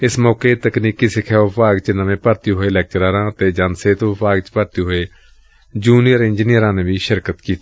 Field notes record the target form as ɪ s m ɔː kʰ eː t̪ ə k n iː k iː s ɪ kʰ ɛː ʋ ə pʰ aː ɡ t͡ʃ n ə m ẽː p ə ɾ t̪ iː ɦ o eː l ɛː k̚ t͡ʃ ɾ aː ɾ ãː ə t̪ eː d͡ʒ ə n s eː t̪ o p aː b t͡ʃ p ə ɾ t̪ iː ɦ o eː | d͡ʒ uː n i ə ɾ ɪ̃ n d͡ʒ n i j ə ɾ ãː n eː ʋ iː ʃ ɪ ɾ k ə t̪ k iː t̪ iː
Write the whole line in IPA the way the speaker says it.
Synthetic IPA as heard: ɪ s m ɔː k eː t̪ ə k n iː k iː s ɪ kʰ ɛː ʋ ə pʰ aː ɡ t͡ʃ n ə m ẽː p ə ɾ t̪ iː ɦ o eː l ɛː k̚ t͡ʃ ɾ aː ɾ ãː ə t̪ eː d͡ʒ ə n s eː t̪ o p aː ɡ t͡ʃ p ə ɾ t̪ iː ɦ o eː | d͡ʒ uː n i ə ɾ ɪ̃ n d͡ʒ n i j ə ɾ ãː n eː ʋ iː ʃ ɪ ɾ k ə t̪ k iː t̪ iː